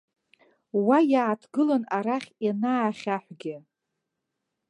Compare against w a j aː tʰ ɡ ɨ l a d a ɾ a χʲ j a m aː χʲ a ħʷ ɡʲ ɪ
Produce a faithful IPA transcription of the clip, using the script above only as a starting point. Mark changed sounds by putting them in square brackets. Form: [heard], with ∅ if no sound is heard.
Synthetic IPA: w a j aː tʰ ɡ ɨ l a [n] a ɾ a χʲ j a [n] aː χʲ a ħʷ ɡʲ ɪ